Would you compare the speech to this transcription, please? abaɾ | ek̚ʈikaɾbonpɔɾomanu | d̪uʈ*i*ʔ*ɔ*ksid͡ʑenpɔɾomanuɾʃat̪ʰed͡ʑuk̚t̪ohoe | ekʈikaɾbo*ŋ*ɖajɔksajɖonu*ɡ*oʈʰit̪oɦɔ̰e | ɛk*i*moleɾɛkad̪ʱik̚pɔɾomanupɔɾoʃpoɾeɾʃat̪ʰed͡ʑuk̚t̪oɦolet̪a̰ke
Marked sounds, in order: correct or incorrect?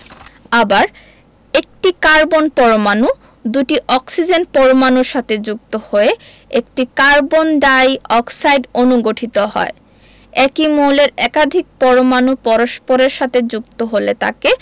correct, correct, incorrect: n, correct, correct

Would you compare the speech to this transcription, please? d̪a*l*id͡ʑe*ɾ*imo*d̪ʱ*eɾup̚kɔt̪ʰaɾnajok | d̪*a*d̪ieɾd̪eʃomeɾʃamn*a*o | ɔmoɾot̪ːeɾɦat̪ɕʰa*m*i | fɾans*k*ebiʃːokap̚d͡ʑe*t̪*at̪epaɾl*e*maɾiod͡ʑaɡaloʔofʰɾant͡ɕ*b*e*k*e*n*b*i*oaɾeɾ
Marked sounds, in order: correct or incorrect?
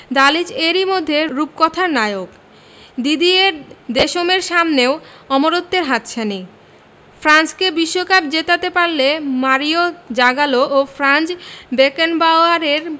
correct, correct, incorrect: d̪ʱː, incorrect: i, incorrect: e, incorrect: n, correct, correct, correct, correct, correct, correct, incorrect: a

